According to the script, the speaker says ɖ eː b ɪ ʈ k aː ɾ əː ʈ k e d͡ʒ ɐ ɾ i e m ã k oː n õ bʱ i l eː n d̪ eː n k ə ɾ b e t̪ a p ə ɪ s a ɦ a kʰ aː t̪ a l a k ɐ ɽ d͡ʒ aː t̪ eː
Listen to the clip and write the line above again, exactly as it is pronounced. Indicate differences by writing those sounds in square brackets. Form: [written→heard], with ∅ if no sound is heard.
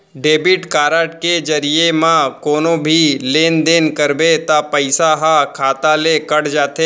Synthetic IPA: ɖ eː b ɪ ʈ k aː ɾ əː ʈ k e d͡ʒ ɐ ɾ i e m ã k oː n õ bʱ i l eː n d̪ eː n k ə ɾ b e t̪ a p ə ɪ s a ɦ a kʰ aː t̪ a l [a→e] k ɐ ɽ d͡ʒ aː t̪ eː